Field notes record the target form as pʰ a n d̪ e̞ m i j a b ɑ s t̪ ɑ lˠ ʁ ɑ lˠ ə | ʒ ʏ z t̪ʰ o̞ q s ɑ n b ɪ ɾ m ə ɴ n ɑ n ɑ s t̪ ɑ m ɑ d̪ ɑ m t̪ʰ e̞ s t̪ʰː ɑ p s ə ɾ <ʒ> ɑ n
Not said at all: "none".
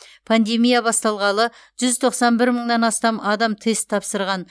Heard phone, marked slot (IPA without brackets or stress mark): ʁ